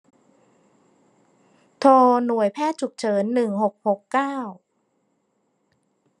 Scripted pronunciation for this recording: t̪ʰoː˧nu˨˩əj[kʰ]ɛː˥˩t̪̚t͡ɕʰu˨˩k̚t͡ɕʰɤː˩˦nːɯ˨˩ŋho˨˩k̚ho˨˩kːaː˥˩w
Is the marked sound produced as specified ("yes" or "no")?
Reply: no